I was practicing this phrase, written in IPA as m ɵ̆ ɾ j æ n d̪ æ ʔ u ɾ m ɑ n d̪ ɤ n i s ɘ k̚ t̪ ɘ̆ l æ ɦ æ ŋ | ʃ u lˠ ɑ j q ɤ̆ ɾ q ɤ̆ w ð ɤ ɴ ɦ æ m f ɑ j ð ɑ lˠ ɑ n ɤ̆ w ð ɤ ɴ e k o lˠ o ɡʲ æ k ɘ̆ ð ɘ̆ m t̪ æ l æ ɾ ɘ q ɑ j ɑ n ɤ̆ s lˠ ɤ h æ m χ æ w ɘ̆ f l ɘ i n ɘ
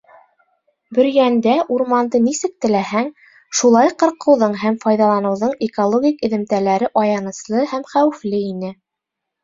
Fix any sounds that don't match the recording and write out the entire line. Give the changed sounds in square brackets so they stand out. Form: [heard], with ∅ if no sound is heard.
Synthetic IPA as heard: [b] ɵ̆ ɾ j æ n d̪ æ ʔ u ɾ m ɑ n d̪ ɤ n i s ɘ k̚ t̪ ɘ̆ l æ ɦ æ ŋ | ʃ u lˠ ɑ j q ɤ̆ ɾ q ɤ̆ w ð ɤ ɴ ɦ æ m f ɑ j ð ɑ lˠ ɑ n ɤ̆ w ð ɤ ɴ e k o lˠ o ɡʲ [i] k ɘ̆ ð ɘ̆ m t̪ æ l æ ɾ ɘ [ʔ] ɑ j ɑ n ɤ̆ s lˠ ɤ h æ m χ æ w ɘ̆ f l ɘ i n ɘ